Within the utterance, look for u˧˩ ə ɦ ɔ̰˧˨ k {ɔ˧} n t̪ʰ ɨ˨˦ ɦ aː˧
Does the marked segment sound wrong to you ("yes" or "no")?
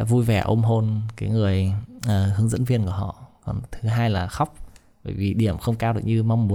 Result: yes